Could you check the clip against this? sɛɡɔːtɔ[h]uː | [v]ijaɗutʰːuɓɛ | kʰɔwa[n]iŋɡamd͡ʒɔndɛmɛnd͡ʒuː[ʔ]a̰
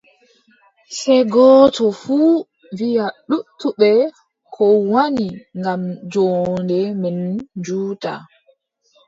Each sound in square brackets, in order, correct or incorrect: incorrect: f, correct, correct, incorrect: t

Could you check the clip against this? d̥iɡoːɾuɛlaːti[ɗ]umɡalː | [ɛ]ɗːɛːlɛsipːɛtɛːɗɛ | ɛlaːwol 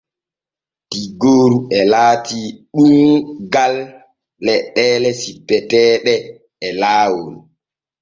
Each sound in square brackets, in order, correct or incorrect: correct, correct

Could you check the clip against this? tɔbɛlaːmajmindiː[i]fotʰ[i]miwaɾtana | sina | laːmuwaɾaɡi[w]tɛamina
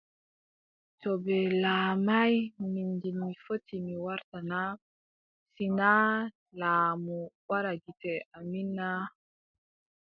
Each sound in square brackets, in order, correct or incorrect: correct, correct, incorrect: none

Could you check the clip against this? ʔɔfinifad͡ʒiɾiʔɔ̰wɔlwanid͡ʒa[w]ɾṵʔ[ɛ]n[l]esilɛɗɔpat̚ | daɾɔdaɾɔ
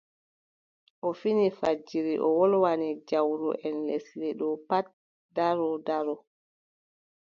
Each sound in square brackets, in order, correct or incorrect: correct, correct, correct

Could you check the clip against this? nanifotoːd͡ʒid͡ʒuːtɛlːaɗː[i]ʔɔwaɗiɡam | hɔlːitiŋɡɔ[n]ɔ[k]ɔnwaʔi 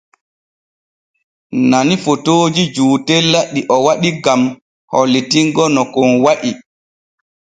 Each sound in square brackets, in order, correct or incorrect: correct, correct, correct

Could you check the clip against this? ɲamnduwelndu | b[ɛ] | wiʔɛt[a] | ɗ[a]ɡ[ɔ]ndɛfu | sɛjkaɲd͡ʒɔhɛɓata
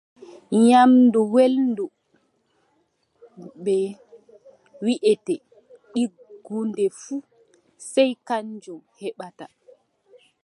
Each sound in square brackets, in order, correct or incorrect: correct, incorrect: ɛ, incorrect: i, incorrect: u

